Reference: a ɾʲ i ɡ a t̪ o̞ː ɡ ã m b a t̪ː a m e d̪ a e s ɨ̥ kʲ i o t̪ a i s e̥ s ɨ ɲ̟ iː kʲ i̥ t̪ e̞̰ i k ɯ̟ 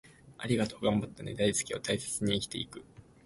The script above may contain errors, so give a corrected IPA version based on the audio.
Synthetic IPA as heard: a ɾʲ i ɡ a t̪ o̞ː ɡ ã m b a t̪ː a n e d̪ a i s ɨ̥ kʲ i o t̪ a i s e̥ t͡s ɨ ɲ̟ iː kʲ i̥ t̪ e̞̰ i k ɯ̟